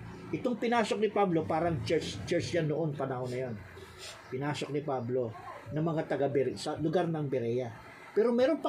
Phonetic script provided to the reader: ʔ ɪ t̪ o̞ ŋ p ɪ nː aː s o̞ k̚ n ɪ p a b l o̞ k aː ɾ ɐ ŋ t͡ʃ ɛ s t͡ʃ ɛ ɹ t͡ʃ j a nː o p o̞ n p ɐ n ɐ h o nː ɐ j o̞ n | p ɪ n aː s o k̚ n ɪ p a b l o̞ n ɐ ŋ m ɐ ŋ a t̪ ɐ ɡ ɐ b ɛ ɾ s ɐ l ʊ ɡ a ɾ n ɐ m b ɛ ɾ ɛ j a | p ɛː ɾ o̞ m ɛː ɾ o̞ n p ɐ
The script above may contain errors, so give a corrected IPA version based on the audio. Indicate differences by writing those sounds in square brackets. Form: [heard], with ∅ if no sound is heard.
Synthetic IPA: ʔ ɪ t̪ o̞ ŋ p ɪ [n] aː s o̞ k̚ n ɪ p a b l o̞ [p] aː ɾ ɐ ŋ t͡ʃ ɛ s t͡ʃ ɛ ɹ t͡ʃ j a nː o [ʔ] o̞ n p ɐ n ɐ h o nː ɐ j o̞ n | p ɪ n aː s o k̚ n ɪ p a b l o̞ n ɐ ŋ m ɐ ŋ a t̪ ɐ ɡ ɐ b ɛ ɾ s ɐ l ʊ ɡ a ɾ n ɐ [ŋ] b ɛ ɾ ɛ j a | p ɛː ɾ o̞ m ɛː ɾ o̞ n p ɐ